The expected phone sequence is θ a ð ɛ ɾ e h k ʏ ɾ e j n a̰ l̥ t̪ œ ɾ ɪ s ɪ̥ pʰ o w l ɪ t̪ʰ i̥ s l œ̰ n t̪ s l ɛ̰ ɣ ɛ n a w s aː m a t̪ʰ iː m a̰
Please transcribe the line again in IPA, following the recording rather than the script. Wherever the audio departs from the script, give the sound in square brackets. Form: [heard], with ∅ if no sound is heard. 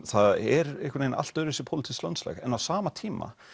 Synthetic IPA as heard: θ a ð ɛ ɾ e h k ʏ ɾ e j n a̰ l̥ t̪ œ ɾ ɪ s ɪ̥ pʰ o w l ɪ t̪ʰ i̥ s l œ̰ n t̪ s l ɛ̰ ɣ ɛ n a w s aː m a t̪ʰ iː m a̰